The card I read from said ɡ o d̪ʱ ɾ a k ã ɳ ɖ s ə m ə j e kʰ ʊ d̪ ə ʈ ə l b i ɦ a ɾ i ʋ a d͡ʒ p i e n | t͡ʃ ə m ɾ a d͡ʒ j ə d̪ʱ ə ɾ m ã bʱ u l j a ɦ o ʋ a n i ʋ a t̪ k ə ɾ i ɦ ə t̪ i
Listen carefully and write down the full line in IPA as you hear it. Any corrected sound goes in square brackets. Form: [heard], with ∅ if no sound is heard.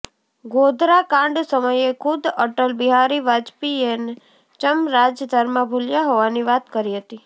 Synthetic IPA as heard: ɡ o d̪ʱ ɾ a k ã ɳ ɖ s ə m ə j e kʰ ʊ d̪ ə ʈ ə l b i ɦ a ɾ i ʋ a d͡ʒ p i e n | t͡ʃ ə m ɾ a d͡ʒ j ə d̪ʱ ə ɾ m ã bʱ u l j a ɦ o ʋ a n i ʋ a t̪ k ə ɾ i ɦ ə t̪ i

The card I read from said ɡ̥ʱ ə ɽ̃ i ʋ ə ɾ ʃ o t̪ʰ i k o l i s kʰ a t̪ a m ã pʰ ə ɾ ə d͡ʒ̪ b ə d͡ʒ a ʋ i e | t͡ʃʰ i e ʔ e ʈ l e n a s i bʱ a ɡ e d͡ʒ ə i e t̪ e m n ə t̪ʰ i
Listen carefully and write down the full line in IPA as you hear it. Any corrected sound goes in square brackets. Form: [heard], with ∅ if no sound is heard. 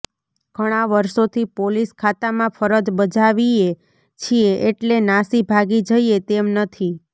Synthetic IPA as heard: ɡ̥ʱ ə ɽ̃ [a] ʋ ə ɾ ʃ o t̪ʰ i [p] o l i s kʰ a t̪ a m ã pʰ ə ɾ ə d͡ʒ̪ b ə d͡ʒ a ʋ i e | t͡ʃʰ i e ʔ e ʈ l e n a s i bʱ a ɡ [i] d͡ʒ ə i e t̪ e m n ə t̪ʰ i

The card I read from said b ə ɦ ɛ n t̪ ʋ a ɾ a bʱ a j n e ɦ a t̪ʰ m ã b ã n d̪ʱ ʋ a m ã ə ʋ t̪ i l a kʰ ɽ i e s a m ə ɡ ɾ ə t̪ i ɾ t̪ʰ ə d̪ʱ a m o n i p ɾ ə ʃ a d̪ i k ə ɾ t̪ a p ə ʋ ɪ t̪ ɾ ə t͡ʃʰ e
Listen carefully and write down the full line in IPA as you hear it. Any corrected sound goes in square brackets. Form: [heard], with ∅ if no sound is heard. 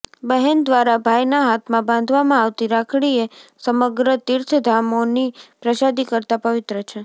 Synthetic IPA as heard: b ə ɦ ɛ n [d̪] ʋ a ɾ a bʱ a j n [a] ɦ a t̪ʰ m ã b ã n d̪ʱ ʋ a m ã [a] ʋ t̪ i [ɾ] a kʰ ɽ i e s [ə] m ə ɡ ɾ ə t̪ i ɾ t̪ʰ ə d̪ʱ a m o n i p ɾ ə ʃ a d̪ i k ə ɾ t̪ a p ə ʋ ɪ t̪ ɾ ə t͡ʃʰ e

